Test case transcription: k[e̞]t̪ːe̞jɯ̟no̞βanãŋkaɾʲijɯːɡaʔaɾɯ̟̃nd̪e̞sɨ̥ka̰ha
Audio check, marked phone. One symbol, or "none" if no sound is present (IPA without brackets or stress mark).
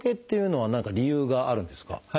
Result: e̞